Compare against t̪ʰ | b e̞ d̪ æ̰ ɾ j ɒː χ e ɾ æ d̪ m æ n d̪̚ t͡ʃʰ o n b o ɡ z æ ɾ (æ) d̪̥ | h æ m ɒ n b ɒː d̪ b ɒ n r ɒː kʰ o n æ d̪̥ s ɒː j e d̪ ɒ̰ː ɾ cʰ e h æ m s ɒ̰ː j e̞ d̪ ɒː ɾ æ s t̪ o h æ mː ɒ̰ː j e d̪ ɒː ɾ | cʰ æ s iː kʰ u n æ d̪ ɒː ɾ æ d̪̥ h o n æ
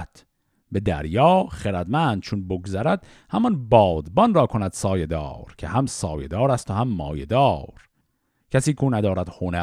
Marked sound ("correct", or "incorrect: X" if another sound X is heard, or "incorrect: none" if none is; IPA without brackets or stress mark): correct